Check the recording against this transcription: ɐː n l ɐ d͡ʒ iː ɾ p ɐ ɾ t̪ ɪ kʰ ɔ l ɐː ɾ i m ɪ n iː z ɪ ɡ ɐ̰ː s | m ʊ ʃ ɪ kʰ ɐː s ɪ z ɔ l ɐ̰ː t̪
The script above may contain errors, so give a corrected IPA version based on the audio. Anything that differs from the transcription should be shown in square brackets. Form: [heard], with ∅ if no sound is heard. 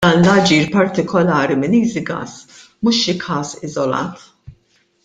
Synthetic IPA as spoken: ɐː n l ɐ d͡ʒ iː ɾ p ɐ ɾ t̪ ɪ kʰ ɔ l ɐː ɾ i m ɪ n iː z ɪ ɡ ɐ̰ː s | m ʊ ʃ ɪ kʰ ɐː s ɪ z ɔ l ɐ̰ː t̪